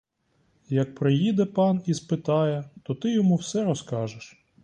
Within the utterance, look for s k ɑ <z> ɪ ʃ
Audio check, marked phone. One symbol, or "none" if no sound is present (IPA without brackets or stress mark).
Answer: ʒ